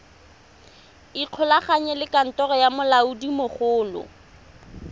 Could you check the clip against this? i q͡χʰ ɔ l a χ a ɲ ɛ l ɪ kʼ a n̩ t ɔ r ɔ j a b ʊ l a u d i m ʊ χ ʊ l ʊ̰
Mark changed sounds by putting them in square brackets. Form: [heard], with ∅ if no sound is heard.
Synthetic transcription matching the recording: i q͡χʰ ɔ l a χ a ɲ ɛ l ɪ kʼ a n̩ t ɔ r ɔ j a [m] ʊ l a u d i m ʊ χ [ʊː] l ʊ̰